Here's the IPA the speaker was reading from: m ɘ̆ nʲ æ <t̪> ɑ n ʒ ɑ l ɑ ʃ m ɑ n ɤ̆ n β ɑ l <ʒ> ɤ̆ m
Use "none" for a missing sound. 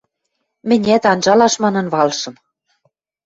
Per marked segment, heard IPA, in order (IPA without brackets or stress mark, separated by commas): t̪, ʃ